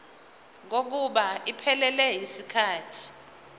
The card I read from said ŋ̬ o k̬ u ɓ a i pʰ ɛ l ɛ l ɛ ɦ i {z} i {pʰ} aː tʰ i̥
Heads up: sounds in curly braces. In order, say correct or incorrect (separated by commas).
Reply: incorrect, incorrect